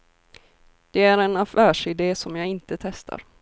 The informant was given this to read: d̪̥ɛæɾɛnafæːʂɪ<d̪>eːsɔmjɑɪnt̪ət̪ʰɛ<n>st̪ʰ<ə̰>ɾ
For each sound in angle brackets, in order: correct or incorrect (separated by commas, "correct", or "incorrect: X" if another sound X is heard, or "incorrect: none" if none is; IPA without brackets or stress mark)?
correct, incorrect: none, incorrect: a̰